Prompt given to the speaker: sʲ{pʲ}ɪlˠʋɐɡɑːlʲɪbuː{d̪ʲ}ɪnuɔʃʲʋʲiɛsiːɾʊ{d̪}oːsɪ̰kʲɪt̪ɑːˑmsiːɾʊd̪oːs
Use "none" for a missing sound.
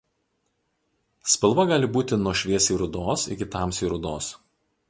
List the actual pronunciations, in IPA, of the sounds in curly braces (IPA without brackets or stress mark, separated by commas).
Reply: pʲ, t̪ʲ, d̪